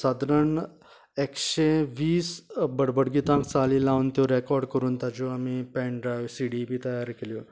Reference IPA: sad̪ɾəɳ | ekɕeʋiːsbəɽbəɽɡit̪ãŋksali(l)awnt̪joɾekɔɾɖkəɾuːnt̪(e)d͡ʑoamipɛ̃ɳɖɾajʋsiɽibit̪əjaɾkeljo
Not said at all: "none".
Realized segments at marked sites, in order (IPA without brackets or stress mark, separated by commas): l, a